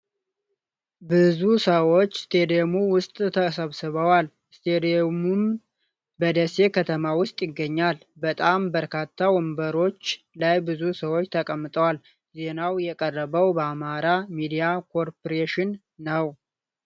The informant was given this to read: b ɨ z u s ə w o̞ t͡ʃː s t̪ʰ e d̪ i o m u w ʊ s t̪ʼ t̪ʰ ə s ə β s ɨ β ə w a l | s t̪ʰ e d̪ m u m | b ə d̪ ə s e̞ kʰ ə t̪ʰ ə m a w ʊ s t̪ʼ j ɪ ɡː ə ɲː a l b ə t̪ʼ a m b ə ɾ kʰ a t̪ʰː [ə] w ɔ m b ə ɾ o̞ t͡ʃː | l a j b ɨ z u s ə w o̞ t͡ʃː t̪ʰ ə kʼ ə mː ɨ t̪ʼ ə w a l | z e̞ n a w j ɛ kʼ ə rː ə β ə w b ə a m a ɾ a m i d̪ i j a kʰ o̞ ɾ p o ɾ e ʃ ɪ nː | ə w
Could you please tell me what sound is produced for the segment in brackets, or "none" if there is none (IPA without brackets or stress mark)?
a